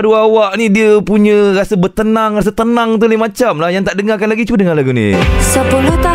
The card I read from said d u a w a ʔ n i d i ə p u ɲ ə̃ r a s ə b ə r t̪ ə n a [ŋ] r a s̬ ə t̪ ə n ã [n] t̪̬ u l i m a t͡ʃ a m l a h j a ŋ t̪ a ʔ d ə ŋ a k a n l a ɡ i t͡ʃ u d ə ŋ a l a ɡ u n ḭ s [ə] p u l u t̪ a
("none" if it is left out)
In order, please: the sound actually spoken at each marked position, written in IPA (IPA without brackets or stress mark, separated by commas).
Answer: ŋ, ŋ, ə